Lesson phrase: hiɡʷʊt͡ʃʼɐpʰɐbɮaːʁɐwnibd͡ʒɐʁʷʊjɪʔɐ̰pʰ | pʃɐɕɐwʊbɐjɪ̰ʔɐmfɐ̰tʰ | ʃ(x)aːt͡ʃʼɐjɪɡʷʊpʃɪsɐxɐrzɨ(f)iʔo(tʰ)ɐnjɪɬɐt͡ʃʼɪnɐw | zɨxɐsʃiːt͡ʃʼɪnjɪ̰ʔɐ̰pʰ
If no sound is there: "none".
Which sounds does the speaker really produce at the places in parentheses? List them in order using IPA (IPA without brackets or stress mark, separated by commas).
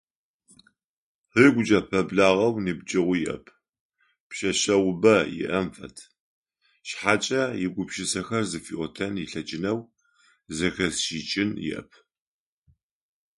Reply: ħ, f, tʰ